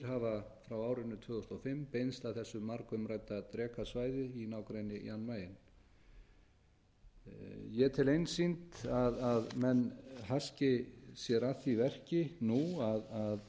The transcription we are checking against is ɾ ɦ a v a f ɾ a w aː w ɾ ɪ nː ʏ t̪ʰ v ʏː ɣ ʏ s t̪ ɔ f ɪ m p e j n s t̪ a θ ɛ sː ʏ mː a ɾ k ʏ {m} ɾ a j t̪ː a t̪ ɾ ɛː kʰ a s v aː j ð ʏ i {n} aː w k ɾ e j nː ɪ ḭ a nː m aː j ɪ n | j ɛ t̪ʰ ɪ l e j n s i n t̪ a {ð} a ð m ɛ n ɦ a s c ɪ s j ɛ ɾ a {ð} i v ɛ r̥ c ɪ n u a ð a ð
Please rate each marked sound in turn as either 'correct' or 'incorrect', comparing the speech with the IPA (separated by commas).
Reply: correct, correct, correct, incorrect